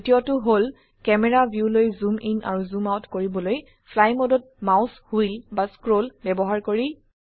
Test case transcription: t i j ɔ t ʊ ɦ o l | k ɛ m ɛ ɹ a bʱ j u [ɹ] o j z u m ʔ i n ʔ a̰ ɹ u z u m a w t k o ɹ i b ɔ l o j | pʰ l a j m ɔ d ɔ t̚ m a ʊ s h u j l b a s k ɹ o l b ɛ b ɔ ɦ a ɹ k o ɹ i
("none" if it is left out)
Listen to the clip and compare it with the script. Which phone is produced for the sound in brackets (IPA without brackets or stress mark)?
l